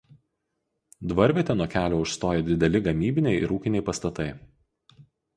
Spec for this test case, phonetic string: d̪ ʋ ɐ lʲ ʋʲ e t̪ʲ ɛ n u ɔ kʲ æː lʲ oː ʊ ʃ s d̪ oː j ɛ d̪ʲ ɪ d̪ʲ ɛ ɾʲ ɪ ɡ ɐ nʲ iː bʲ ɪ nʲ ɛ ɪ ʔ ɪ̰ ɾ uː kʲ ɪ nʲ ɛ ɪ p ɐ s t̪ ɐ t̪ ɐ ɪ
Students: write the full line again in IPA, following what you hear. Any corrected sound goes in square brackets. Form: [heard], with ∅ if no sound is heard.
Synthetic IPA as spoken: d̪ ʋ ɐ [ɾʲ] ʋʲ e t̪ʲ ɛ n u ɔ kʲ æː lʲ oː ʊ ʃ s [t̪] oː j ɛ d̪ʲ ɪ d̪ʲ ɛ [lʲ] ɪ ɡ ɐ [mʲ] iː bʲ ɪ nʲ ɛ ɪ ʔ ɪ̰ ɾ uː kʲ ɪ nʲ ɛ ɪ p ɐ s t̪ ɐ t̪ ɐ ɪ